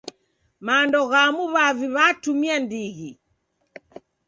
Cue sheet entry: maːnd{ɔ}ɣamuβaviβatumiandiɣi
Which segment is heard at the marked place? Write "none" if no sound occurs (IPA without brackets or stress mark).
ɔ